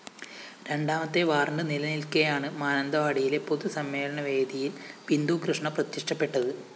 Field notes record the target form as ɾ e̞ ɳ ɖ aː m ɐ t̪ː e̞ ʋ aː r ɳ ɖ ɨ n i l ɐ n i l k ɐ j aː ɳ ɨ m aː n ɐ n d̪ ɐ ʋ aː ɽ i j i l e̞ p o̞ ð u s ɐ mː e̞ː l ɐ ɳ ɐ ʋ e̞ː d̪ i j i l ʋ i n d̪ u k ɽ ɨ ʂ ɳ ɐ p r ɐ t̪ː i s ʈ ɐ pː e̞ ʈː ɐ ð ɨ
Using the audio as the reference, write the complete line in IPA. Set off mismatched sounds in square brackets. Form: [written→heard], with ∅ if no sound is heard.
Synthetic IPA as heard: ɾ e̞ ɳ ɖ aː m ɐ t̪ː e̞ ʋ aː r ɳ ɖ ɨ n i l ɐ n i l k ɐ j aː ɳ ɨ m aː n ɐ n d̪ ɐ ʋ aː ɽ i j i l e̞ p o̞ ð u s ɐ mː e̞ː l ɐ ɳ ɐ ʋ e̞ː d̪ i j i l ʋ i n d̪ u k [ɽ→r] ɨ ʂ ɳ ɐ p r ɐ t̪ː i [s→ʂ] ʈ ɐ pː e̞ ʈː ɐ ð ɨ